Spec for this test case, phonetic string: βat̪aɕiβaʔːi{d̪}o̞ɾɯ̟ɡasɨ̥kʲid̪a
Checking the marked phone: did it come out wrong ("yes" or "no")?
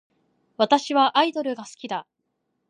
no